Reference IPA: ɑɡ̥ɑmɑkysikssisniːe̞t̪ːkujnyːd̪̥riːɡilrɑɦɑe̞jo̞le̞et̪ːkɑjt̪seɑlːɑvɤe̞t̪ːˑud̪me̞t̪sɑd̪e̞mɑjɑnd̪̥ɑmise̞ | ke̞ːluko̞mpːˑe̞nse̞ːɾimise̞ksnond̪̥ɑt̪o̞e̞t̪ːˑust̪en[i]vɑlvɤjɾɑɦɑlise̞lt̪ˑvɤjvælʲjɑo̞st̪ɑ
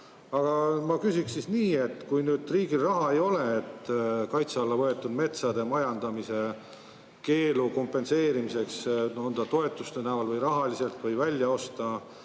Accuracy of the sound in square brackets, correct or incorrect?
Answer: incorrect